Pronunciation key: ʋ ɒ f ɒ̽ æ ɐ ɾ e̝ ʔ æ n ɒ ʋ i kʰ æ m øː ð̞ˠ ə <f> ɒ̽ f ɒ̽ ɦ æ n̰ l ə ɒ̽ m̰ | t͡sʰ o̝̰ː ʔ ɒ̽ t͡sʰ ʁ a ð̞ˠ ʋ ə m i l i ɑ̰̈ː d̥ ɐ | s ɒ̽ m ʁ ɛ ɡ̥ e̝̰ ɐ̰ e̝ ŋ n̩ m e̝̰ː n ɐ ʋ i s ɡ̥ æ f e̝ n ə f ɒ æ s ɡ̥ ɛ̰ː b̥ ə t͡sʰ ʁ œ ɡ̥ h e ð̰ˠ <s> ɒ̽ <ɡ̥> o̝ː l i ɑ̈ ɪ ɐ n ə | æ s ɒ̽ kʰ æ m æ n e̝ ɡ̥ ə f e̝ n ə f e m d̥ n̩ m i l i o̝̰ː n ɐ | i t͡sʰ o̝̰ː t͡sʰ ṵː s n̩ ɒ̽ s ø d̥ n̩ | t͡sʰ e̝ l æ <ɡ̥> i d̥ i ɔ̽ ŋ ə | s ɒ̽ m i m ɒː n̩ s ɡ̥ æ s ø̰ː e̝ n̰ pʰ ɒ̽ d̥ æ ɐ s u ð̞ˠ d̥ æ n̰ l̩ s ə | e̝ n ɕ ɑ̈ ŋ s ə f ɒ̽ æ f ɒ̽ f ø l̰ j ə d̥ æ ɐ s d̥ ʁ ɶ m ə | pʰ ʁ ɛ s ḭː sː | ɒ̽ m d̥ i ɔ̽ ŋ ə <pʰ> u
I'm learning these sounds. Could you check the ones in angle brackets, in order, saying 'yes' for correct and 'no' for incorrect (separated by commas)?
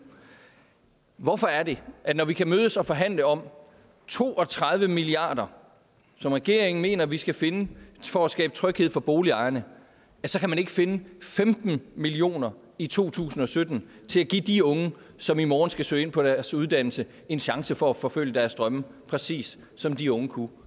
no, no, no, yes, no